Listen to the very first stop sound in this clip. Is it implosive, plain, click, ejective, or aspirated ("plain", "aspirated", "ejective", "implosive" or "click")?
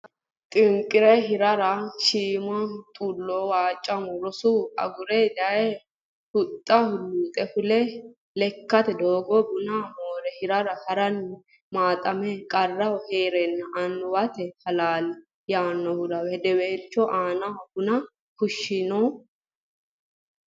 ejective